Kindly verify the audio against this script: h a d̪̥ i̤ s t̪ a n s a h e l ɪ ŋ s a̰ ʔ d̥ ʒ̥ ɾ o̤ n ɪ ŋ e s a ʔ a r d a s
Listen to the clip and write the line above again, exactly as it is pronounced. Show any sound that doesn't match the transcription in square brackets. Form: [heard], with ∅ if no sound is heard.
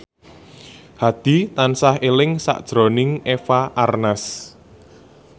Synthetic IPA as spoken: h a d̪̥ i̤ [∅] t̪ a n s a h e l ɪ ŋ s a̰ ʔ d̥ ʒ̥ ɾ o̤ n ɪ ŋ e [f] a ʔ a r [n] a s